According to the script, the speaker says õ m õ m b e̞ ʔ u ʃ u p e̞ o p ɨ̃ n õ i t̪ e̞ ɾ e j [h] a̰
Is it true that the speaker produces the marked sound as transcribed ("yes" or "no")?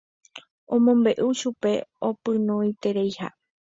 yes